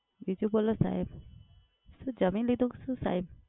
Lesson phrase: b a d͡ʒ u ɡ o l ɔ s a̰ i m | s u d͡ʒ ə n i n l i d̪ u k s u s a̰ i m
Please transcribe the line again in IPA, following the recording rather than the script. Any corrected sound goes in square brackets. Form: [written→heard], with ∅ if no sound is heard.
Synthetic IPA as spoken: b [a→i] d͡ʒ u [ɡ→b] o l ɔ s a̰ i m | s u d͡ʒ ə [n→m] i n l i d̪ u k s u s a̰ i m

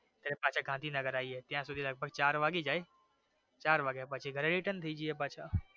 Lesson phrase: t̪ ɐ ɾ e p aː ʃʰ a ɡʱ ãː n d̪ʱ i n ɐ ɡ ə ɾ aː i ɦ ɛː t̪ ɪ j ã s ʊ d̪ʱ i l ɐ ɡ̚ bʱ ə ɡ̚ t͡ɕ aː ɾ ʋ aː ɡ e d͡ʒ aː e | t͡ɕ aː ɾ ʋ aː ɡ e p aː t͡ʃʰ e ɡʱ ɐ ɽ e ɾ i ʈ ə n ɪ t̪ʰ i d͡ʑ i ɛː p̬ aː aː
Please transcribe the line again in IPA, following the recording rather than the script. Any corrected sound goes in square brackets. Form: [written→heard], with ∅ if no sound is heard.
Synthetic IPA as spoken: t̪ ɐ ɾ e p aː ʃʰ a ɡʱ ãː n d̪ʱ i n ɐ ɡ ə ɾ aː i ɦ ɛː t̪ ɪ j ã s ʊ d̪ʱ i l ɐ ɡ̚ bʱ ə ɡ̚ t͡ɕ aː ɾ ʋ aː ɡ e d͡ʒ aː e | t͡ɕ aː ɾ ʋ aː ɡ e p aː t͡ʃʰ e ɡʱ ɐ [ɽ→ɾ] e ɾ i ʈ ə n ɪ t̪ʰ i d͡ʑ i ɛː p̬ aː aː

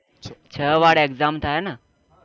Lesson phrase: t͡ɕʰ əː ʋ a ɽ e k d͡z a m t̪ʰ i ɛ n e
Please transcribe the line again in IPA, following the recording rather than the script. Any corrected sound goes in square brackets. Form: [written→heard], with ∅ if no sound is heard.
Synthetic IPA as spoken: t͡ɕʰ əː ʋ a ɽ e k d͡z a m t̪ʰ [i→a] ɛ n [e→a]

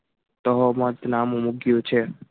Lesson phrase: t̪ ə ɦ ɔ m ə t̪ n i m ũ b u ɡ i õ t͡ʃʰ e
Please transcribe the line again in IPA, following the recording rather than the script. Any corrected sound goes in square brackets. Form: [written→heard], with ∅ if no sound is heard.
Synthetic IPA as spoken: t̪ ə ɦ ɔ m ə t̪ n [i→a] m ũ [b→m] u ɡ [i→j] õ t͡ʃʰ e

